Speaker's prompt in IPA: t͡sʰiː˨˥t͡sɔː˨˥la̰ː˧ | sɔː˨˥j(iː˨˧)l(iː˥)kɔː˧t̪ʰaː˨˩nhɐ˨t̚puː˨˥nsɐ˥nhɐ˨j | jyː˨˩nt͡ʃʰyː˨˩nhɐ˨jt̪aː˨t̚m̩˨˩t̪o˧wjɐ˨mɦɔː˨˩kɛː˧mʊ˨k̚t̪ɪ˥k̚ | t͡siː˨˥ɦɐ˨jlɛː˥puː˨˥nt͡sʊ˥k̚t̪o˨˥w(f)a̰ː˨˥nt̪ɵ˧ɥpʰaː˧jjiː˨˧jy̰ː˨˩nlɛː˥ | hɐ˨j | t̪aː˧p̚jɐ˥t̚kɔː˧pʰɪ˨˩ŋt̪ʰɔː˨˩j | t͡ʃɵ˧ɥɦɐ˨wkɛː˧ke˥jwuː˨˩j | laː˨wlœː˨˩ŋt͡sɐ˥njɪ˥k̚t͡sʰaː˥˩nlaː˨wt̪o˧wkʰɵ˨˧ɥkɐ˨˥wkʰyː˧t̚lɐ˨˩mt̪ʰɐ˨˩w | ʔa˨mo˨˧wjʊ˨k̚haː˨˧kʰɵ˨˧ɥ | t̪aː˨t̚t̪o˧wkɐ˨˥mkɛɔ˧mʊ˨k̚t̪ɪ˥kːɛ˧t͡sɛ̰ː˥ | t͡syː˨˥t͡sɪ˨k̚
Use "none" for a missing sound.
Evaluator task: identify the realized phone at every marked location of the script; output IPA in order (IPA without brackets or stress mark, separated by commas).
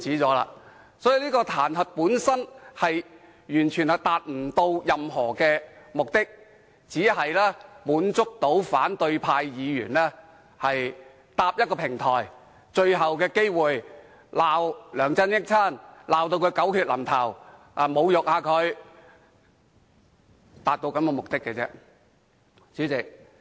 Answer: i˨˧, iː˥, f